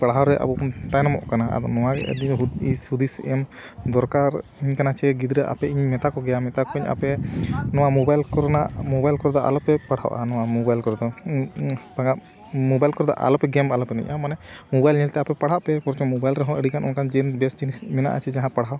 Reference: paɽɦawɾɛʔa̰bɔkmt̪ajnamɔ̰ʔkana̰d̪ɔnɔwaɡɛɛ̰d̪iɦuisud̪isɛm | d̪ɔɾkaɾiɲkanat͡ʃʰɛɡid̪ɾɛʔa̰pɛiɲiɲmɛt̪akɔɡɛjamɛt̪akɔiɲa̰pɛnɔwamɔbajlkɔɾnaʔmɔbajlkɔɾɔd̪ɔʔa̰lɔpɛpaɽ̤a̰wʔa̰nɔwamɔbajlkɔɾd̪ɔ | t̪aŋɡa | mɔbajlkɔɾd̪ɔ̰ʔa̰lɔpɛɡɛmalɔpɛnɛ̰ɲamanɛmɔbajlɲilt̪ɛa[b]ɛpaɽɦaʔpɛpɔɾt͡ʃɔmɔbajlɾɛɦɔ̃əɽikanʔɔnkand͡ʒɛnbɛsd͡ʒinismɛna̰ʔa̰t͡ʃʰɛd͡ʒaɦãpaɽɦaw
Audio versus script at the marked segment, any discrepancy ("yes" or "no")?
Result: yes